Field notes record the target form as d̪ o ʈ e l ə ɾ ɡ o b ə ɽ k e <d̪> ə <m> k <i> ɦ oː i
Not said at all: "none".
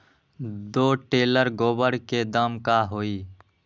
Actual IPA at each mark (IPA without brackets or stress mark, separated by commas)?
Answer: d̪, m, a